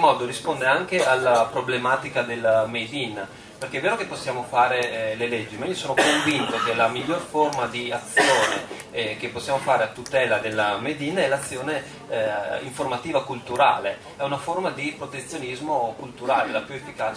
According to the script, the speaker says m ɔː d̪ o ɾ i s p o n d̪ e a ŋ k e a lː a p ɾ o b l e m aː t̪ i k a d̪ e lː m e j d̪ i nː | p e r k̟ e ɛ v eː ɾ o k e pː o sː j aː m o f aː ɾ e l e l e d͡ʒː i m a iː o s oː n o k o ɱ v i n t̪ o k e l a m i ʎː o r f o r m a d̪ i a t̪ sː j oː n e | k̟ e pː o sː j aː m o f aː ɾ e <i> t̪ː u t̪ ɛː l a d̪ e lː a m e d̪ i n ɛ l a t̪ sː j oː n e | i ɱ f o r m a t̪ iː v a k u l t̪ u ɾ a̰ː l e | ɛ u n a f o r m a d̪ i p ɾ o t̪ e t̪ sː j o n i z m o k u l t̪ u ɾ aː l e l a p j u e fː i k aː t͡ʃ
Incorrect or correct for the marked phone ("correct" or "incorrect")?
incorrect